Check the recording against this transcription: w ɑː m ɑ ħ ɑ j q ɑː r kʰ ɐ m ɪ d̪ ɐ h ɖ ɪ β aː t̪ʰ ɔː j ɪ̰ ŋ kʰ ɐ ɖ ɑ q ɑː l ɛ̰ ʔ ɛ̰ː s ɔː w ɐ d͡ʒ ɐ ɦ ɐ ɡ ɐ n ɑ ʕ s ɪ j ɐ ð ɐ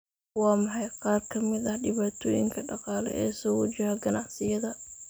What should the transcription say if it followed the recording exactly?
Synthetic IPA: w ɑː m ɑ ħ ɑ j q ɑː r kʰ ɐ m ɪ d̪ ɐ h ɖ ɪ β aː t̪ʰ ɔː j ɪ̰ ŋ kʰ ɐ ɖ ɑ q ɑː l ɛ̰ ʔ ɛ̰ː s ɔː w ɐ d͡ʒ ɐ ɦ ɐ ɡ ɐ n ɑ ʕ s ɪ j ɐ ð ɐ